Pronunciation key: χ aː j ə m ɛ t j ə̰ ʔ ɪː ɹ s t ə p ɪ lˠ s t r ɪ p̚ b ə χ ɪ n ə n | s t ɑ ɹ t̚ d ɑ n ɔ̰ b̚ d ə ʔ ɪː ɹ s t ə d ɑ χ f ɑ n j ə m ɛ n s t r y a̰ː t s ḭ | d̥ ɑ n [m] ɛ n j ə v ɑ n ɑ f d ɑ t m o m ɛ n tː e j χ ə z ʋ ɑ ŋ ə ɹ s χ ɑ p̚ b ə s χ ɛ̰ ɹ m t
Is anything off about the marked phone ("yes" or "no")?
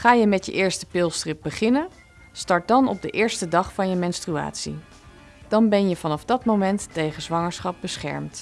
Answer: yes